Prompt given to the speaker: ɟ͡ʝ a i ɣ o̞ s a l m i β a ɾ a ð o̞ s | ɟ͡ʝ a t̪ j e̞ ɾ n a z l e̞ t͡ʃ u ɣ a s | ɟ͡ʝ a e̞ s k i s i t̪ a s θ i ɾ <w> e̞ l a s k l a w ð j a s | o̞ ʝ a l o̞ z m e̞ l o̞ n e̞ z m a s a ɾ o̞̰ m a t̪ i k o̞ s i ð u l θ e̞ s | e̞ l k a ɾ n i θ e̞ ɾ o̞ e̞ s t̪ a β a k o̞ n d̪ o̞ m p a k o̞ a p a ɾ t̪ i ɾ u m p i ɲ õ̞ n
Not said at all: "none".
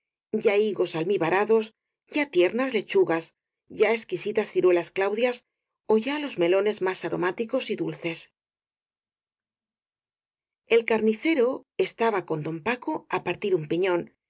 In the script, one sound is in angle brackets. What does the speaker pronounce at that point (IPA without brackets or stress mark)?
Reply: w